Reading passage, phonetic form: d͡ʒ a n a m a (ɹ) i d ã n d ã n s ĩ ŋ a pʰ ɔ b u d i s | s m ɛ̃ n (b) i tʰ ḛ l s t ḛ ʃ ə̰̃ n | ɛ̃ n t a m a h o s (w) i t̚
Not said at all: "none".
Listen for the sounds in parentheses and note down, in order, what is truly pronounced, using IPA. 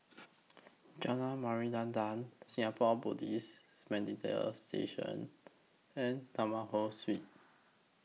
ɹ, d, w

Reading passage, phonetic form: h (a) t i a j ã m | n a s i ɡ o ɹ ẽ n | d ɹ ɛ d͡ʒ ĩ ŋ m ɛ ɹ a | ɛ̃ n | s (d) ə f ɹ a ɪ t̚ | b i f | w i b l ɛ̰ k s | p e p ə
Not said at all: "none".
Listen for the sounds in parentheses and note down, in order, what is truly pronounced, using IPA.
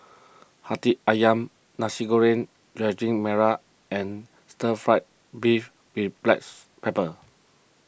a, t

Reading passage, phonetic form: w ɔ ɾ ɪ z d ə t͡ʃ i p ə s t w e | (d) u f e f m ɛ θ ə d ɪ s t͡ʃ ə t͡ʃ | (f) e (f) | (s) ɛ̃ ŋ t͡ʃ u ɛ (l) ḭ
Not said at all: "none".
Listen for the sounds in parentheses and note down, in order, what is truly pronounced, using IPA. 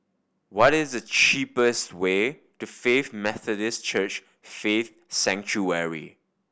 t, f, θ, s, ɹ

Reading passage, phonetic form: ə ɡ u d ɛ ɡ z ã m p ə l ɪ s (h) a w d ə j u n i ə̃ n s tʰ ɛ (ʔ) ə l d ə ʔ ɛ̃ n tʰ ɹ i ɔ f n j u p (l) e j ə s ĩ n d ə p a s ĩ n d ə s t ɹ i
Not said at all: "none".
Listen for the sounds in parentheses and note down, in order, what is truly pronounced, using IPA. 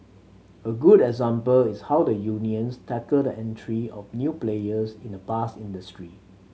h, k, l

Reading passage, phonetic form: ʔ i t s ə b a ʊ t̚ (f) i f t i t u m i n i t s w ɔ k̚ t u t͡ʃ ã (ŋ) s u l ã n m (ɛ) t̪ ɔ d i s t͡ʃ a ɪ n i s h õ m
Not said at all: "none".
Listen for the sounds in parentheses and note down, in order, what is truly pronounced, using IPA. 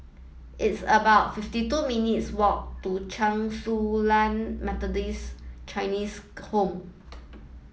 f, ŋ, ɛ

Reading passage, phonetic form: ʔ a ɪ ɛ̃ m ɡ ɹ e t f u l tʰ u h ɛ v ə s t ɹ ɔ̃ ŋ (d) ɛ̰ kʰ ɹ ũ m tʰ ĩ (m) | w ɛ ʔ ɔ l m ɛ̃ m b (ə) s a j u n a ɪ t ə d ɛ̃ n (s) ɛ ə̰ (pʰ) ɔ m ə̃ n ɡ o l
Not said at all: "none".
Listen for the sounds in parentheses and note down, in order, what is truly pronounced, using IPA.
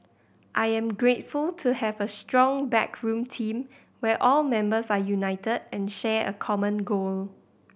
b, m, ə, ʃ, kʰ

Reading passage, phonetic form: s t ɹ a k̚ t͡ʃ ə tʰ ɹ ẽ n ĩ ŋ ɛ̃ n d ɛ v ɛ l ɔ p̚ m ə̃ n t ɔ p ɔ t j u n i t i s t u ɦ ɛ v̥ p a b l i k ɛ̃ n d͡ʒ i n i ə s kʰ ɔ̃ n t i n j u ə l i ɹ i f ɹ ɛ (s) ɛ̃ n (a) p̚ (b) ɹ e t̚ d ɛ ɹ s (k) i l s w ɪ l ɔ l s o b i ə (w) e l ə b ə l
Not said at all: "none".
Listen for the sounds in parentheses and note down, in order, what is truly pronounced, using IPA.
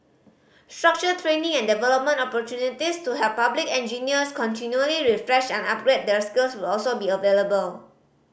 ʃ, a, ɡ, k, v

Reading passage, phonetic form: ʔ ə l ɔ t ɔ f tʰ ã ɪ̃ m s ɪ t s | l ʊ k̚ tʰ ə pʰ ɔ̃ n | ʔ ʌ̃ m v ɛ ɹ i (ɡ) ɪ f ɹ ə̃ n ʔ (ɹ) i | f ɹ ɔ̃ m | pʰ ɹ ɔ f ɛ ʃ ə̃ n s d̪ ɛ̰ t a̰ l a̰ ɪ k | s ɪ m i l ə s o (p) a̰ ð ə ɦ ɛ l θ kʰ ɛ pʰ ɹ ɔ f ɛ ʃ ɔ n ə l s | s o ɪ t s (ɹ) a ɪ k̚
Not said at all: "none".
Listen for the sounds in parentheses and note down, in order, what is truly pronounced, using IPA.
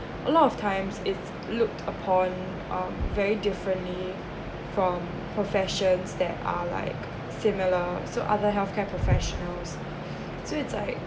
d, l, ʔ, l

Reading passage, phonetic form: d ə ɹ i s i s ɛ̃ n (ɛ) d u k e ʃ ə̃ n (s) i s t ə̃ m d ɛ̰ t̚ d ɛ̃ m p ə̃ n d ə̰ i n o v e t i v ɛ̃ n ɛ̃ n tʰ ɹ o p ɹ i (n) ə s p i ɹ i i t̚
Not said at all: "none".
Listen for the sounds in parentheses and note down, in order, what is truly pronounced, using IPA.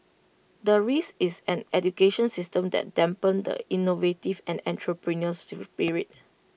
ɛ, s, n

